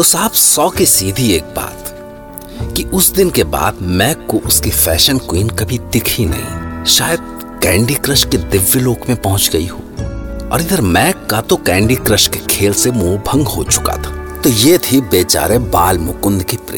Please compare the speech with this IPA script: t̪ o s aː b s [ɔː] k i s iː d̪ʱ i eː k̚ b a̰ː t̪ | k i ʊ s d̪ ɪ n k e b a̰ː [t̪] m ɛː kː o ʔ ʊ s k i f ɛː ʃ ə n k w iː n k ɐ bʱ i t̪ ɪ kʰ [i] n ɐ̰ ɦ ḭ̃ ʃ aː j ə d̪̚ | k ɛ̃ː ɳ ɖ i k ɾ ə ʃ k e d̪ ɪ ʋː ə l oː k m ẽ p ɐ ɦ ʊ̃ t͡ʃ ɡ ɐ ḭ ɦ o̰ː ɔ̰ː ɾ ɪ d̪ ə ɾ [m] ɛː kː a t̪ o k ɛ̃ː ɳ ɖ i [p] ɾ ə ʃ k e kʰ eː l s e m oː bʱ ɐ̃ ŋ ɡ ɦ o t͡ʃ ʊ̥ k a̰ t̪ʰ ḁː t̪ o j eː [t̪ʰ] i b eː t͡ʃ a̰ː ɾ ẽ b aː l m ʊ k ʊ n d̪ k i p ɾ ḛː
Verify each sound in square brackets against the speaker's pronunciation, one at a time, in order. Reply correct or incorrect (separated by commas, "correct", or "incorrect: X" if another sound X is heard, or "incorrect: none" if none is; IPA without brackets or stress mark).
correct, incorrect: d̪, correct, correct, incorrect: k, correct